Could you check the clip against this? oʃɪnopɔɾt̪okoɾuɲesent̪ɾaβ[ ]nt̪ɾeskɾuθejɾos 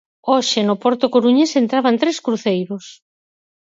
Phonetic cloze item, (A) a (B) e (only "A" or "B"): A